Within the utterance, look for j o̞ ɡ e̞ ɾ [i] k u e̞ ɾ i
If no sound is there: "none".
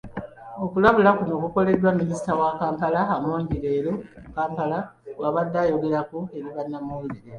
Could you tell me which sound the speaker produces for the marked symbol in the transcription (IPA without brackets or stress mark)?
a